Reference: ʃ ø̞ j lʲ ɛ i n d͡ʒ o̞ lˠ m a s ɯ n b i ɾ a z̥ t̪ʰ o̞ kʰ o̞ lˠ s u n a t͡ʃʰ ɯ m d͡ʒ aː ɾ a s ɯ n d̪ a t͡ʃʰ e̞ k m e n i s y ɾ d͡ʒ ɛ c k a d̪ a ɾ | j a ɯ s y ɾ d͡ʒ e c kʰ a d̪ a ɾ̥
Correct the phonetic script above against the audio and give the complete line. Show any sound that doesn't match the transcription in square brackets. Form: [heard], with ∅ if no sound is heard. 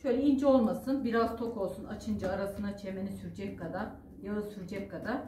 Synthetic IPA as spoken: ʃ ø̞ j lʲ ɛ i n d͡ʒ o̞ lˠ m a s ɯ n b i ɾ a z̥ t̪ʰ o̞ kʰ o̞ lˠ s u n a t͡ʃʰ ɯ [n] d͡ʒ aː ɾ a s ɯ n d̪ a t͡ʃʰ e̞ [∅] m e n i s y ɾ d͡ʒ ɛ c k a d̪ a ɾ | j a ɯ s y ɾ d͡ʒ [ɛ] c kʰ a d̪ a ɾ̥